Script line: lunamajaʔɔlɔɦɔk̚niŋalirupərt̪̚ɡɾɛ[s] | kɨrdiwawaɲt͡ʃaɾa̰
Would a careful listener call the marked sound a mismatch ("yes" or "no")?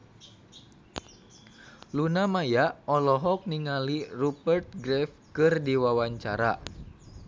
yes